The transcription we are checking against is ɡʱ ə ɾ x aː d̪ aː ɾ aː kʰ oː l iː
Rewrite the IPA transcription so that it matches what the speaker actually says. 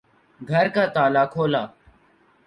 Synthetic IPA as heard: ɡʱ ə ɾ k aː t̪ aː l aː kʰ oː l aː